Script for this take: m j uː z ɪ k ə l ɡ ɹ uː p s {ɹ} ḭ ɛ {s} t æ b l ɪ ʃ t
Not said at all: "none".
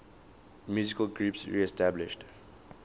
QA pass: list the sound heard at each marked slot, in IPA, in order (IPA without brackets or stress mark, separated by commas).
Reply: ɹ, s